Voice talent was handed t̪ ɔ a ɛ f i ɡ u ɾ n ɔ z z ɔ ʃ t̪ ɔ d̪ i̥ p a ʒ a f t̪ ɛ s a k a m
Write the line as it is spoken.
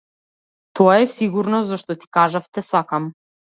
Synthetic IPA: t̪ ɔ a ɛ s i ɡ u ɾ n ɔ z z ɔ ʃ t̪ ɔ t̪ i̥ k a ʒ a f t̪ ɛ s a k a m